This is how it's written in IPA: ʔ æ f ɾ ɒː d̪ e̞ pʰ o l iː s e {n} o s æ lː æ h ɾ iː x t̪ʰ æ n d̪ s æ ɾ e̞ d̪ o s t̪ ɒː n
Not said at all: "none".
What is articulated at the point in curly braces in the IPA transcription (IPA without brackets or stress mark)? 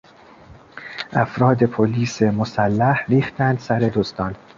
m